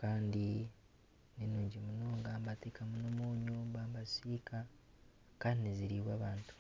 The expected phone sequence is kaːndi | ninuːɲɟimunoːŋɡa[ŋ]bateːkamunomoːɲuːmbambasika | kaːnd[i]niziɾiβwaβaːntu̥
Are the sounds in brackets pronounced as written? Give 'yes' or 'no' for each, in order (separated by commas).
no, yes